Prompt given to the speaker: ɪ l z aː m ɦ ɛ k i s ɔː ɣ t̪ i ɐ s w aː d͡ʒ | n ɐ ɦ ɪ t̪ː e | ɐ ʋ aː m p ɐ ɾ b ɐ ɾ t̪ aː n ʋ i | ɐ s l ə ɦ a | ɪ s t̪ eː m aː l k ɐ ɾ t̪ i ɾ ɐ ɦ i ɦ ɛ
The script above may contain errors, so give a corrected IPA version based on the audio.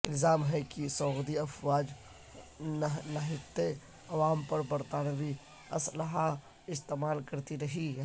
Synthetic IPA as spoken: ɪ l z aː m ɦ ɛ k i s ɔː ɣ d̪ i ɐ f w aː d͡ʒ | n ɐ ɦ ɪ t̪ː e | ɐ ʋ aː m p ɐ ɾ b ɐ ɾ t̪ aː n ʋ i | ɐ s l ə ɦ a | ɪ s t̪ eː m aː l k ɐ ɾ t̪ i ɾ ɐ ɦ i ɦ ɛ